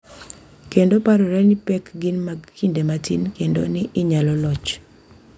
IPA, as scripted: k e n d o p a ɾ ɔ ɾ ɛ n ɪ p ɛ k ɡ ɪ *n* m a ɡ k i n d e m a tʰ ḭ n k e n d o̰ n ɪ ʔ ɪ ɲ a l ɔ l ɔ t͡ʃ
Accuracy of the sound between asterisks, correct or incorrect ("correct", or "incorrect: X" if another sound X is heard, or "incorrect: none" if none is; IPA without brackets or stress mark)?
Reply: correct